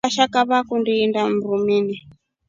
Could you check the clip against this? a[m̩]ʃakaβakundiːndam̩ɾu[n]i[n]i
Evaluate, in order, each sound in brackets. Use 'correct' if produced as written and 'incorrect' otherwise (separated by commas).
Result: incorrect, incorrect, correct